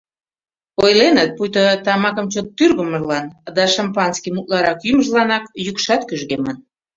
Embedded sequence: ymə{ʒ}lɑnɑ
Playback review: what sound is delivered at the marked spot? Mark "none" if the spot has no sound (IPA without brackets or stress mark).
ʒ